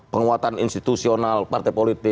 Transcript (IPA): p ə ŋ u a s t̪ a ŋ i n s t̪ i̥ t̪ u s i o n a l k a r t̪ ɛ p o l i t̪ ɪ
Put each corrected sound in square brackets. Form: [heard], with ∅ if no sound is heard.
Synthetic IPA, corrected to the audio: p ə ŋ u a [∅] t̪ a [n] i n s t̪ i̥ t̪ u s i o n a l [p] a r t̪ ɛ p o l i t̪ ɪ